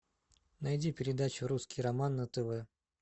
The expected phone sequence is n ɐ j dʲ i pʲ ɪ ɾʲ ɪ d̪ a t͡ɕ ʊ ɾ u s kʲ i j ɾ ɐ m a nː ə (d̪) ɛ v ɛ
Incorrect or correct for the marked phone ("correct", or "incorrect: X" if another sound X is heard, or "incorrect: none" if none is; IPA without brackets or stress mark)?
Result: incorrect: t̪